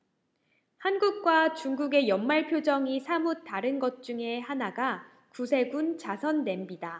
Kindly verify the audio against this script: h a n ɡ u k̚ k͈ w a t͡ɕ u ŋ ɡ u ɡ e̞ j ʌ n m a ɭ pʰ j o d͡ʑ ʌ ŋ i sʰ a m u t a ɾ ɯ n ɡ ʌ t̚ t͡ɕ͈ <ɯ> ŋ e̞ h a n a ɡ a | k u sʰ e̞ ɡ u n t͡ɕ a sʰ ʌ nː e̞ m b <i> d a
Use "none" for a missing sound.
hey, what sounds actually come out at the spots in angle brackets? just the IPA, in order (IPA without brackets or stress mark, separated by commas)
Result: u, i